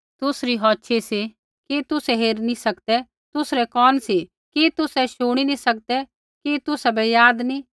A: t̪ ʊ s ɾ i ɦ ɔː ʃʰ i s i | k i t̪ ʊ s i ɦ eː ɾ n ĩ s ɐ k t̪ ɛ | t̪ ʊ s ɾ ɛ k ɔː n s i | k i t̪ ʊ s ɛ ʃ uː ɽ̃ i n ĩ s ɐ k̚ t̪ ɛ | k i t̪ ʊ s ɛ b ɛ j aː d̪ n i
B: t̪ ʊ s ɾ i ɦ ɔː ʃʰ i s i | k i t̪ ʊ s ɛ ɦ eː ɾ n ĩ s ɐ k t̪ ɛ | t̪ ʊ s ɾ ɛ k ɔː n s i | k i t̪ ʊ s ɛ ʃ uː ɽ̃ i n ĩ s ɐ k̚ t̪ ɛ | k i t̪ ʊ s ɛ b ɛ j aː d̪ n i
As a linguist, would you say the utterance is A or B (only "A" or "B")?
B